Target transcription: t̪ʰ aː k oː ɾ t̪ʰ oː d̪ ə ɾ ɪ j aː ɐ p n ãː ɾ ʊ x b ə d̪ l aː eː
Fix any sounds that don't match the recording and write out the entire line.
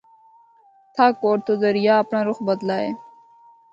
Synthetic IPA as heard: t̪ʰ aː k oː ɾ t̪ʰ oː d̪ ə ɾ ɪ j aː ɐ p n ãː ɾ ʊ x b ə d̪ l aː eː